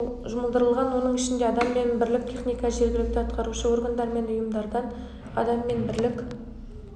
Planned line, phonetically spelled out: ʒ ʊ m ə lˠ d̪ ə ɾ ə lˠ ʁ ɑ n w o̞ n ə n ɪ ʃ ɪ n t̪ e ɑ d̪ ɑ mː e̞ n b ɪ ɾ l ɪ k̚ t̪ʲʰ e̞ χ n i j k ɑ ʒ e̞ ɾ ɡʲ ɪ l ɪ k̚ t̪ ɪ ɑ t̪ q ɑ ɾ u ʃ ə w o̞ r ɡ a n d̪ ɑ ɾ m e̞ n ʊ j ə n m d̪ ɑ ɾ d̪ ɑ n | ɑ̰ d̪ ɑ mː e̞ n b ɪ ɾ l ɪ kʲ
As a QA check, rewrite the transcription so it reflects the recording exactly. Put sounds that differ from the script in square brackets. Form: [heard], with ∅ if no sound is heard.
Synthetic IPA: ʒ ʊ m ə lˠ d̪ ə ɾ ə lˠ ʁ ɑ n w o̞ n ə [ɴ] ɪ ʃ ɪ n [d̪] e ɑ d̪ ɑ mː e̞ n b ɪ ɾ l ɪ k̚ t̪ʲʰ e̞ χ n i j k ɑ ʒ e̞ ɾ ɡʲ ɪ l ɪ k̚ t̪ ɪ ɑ t̪ q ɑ ɾ u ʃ ə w o̞ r ɡ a n d̪ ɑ ɾ m e̞ n ʊ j ə [∅] m d̪ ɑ ɾ d̪ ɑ n | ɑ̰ d̪ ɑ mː e̞ n b ɪ ɾ l ɪ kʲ